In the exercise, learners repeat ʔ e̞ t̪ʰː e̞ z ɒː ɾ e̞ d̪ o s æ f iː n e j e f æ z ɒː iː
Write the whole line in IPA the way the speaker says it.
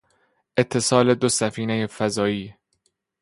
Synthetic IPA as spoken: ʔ e̞ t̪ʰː e̞ s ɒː l e̞ d̪ o s æ f iː n e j e f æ z ɒː iː